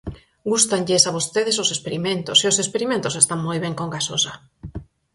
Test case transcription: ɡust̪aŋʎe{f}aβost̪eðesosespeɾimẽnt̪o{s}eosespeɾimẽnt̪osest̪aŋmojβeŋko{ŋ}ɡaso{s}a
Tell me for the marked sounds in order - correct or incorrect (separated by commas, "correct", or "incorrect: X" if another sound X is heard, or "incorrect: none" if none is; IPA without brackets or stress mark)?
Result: incorrect: s, correct, correct, correct